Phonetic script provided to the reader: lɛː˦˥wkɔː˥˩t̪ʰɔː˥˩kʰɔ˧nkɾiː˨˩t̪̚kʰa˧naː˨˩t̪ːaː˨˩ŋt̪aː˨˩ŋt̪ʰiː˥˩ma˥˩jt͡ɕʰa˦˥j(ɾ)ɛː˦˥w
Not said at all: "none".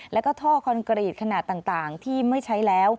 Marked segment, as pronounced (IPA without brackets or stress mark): l